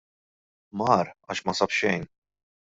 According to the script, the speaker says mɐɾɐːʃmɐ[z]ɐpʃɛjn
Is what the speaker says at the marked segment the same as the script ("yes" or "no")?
no